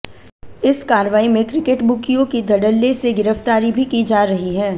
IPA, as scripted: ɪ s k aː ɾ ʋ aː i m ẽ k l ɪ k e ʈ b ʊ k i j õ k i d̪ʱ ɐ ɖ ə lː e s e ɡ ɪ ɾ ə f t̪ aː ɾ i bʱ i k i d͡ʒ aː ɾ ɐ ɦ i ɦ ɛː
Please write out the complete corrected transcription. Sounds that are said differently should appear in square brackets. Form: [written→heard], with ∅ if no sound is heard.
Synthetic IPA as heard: ɪ s k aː ɾ ʋ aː i m ẽ k [l→ɾ] ɪ k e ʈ b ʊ k i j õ k i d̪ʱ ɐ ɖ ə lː e s e ɡ ɪ ɾ ə f t̪ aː ɾ i bʱ i k i d͡ʒ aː ɾ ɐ ɦ i ɦ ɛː